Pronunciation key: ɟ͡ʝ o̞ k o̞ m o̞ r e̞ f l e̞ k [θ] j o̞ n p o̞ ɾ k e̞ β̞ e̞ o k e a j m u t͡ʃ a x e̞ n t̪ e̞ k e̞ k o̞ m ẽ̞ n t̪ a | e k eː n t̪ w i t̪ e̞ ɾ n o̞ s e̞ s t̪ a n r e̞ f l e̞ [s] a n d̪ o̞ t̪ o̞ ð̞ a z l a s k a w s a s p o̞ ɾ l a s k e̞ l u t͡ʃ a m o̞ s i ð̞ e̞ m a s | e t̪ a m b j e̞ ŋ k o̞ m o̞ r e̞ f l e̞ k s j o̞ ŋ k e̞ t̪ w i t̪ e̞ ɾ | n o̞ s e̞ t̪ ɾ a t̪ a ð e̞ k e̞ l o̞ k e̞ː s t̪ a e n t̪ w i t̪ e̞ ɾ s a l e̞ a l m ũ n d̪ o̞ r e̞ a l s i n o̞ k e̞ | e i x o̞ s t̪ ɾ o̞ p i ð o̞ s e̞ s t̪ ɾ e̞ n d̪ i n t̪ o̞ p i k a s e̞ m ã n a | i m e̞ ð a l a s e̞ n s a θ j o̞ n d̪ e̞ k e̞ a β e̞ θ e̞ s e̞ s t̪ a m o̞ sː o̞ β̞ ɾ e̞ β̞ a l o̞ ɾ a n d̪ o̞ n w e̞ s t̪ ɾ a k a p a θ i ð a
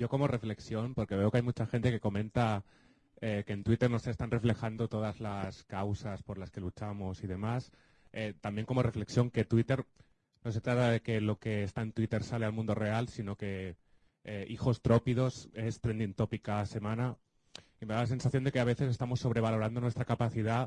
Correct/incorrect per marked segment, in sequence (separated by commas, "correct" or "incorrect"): incorrect, incorrect